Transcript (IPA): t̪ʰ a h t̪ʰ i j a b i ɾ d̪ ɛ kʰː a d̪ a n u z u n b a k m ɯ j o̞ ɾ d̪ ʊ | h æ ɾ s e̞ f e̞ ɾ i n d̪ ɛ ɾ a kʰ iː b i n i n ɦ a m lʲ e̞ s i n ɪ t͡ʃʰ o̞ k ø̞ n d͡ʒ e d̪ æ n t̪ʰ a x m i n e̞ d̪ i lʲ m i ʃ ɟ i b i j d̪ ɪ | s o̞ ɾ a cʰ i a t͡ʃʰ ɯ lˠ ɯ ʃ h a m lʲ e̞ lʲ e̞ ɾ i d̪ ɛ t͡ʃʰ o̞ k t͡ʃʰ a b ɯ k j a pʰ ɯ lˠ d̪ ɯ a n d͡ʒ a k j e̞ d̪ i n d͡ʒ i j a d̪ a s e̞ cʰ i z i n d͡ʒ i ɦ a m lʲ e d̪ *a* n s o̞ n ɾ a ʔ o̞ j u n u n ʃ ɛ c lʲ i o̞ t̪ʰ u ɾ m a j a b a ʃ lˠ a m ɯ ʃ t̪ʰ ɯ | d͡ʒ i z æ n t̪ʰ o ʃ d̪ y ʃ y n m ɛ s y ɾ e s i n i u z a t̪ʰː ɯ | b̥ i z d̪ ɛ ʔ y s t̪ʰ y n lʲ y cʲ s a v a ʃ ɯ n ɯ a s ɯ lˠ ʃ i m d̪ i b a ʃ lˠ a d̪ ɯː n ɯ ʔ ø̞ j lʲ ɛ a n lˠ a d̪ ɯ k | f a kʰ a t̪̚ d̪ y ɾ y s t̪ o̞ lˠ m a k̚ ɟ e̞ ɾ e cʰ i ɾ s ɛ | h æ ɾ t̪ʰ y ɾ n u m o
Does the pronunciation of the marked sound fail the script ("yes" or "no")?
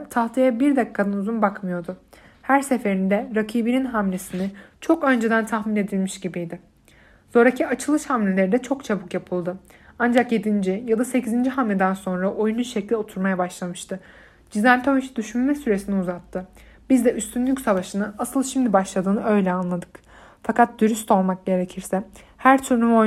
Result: yes